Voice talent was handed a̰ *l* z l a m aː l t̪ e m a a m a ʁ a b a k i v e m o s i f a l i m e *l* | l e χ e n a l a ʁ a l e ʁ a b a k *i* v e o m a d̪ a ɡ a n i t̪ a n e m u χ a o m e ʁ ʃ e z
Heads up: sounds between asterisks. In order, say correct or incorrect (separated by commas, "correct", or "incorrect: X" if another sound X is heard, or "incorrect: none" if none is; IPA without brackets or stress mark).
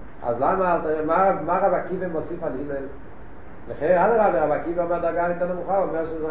incorrect: none, correct, correct